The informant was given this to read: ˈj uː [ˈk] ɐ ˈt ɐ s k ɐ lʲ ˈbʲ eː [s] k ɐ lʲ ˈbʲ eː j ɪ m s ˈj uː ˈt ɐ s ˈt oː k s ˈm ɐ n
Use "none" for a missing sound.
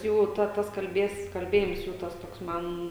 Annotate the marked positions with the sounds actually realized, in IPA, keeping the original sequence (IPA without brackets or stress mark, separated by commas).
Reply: t, s